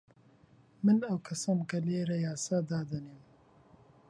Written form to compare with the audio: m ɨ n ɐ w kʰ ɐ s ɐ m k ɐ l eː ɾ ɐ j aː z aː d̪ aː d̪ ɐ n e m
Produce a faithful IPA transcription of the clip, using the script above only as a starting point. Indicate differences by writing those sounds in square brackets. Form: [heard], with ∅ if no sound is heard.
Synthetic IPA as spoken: m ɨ n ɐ w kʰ ɐ s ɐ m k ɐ l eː ɾ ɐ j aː [s] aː d̪ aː d̪ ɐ n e m